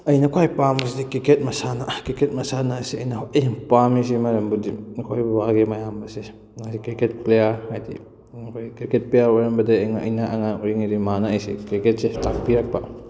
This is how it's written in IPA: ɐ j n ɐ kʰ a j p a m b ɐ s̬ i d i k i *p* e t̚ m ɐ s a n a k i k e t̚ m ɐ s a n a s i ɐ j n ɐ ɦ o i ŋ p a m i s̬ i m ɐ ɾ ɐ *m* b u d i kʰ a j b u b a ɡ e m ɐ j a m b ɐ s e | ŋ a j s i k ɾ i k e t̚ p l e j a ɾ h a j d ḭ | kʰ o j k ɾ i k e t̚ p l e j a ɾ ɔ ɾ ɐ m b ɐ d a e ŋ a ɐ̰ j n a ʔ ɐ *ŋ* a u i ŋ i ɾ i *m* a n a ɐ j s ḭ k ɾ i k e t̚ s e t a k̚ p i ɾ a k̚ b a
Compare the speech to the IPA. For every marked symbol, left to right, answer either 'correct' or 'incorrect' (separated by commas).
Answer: incorrect, correct, correct, correct